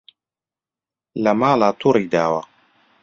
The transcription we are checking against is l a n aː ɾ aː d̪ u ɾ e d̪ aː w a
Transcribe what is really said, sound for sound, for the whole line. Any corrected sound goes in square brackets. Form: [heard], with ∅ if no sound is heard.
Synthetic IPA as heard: l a [m] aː [l] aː [t̪] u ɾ [i] d̪ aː w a